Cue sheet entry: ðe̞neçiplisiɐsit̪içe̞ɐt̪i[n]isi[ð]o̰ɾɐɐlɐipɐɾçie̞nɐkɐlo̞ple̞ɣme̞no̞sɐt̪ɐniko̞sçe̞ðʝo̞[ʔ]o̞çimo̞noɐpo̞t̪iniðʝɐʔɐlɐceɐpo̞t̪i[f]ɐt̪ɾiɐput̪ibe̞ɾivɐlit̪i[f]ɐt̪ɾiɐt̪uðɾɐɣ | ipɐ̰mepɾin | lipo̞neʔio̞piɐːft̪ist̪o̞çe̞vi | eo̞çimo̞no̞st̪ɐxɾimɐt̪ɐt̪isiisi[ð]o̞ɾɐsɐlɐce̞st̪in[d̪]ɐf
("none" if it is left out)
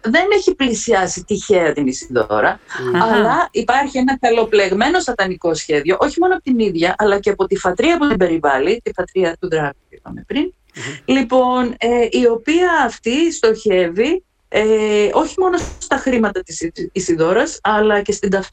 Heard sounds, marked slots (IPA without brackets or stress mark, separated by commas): n, ð, ʔ, f, f, ð, d̪